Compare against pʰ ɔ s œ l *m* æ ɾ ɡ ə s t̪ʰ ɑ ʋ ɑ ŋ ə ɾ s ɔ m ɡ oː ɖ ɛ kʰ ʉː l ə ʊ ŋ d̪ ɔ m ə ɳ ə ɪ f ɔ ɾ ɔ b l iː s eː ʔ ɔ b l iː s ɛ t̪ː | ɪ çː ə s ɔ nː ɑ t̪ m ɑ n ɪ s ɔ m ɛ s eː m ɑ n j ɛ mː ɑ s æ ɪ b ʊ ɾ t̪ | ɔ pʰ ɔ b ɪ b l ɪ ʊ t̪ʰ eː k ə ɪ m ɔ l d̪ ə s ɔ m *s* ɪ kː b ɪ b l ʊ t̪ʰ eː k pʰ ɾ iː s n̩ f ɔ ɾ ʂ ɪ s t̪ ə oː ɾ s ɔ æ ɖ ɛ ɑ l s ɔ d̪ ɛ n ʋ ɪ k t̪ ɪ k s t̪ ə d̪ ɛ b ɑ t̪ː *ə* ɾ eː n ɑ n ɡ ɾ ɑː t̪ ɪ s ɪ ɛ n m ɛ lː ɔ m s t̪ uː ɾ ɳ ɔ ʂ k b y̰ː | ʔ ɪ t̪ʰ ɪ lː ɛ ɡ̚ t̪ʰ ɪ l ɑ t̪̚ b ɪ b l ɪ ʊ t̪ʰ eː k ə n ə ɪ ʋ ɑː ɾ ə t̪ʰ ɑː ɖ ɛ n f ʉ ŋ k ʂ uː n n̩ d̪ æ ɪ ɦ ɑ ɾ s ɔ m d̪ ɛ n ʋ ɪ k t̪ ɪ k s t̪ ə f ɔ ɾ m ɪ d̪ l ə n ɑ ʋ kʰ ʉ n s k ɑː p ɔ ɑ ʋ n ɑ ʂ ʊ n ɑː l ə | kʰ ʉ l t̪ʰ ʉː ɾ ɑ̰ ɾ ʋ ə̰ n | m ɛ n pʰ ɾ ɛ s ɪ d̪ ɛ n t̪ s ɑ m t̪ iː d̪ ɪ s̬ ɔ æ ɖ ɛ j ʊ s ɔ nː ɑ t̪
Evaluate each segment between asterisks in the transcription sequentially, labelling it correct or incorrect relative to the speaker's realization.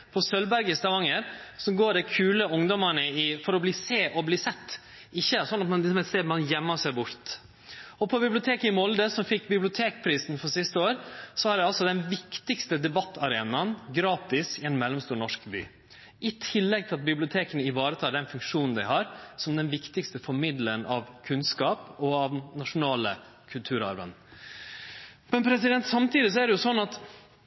incorrect: b, incorrect: f, incorrect: ɑ

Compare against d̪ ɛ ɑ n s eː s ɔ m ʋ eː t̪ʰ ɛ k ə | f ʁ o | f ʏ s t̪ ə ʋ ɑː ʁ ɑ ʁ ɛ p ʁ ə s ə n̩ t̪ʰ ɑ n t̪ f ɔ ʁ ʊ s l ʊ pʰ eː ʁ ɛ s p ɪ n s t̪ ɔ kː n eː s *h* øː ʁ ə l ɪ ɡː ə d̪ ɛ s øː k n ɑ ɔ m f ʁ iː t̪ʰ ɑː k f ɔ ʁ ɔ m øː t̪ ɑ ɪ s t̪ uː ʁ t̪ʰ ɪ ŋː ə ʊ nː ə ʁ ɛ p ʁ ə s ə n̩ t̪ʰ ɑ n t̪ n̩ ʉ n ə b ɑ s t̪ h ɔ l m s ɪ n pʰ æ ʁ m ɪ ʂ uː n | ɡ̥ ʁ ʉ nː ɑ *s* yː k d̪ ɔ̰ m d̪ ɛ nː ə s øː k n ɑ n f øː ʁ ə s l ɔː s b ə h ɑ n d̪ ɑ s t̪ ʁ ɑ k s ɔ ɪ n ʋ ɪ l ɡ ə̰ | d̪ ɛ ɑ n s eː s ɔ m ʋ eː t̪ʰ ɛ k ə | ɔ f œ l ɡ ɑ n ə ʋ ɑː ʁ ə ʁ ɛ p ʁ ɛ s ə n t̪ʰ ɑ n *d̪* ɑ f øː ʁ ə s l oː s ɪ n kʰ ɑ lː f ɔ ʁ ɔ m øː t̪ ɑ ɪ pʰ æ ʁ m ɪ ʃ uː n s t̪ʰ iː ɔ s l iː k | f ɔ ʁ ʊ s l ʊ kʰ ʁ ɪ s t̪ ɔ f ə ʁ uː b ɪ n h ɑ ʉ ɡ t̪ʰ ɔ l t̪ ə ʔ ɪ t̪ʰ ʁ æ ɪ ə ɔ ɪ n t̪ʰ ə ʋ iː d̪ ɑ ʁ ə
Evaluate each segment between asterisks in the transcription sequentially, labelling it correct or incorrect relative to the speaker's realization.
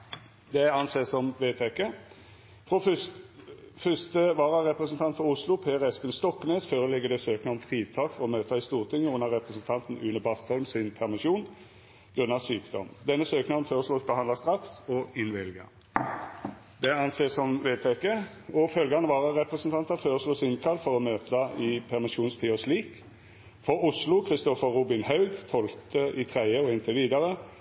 incorrect: f, correct, incorrect: t̪

